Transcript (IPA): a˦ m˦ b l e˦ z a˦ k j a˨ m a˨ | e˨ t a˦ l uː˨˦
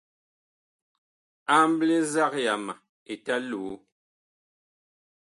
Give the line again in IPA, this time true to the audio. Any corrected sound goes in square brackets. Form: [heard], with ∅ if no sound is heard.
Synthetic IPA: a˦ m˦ b l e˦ z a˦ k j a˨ m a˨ | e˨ t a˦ l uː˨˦

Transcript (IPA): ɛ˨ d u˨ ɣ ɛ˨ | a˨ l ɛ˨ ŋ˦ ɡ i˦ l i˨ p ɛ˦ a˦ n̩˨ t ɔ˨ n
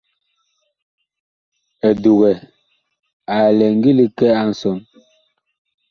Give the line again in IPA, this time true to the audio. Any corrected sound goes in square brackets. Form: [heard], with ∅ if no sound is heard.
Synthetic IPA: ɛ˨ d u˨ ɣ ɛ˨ | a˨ l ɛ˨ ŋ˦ ɡ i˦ l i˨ [k] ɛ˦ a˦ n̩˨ [s] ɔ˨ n

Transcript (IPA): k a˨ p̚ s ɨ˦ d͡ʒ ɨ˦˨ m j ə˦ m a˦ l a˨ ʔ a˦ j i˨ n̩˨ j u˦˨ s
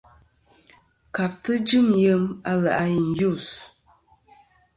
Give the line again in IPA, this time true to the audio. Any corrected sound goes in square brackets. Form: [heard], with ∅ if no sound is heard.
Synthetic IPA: k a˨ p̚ [t] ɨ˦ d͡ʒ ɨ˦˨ m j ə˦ m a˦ l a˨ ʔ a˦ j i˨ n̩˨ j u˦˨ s

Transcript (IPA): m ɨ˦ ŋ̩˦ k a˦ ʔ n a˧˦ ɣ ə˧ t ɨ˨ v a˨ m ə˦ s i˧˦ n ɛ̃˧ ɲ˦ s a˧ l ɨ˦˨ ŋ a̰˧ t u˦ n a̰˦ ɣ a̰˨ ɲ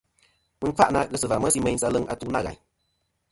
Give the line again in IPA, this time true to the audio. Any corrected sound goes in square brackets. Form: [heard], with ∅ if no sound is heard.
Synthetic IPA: m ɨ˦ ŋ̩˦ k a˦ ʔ n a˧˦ ɣ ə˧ [s] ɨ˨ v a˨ m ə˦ s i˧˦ [m] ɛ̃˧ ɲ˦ s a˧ l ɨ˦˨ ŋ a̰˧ t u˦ n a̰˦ ɣ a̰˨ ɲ

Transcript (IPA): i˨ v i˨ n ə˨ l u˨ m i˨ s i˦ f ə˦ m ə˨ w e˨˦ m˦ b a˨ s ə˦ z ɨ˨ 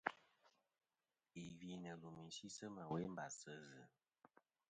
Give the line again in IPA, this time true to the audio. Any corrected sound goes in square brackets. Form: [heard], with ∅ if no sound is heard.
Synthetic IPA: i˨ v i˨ n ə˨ l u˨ m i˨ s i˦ [s] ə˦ m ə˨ w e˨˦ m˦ b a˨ s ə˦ z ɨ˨

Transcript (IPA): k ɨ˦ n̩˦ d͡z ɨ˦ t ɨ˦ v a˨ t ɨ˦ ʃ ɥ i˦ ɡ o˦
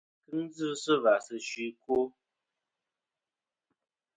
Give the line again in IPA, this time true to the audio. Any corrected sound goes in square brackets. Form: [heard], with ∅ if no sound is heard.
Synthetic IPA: k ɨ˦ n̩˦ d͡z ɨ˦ [s] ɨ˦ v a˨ [s] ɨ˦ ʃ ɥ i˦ [k] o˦

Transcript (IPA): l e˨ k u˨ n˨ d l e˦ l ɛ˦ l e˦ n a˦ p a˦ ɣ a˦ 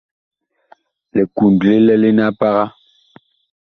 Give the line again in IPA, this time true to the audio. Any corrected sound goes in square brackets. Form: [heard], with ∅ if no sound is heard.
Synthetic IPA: l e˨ k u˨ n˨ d l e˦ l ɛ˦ l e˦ n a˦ p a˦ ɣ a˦

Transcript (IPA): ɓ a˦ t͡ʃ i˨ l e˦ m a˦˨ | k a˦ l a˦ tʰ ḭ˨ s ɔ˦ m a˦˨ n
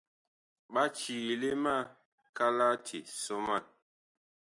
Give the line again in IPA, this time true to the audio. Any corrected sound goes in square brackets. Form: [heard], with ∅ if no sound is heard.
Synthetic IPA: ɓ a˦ t͡ʃ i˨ l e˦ m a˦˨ | k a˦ l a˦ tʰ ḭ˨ s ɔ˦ m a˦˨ n

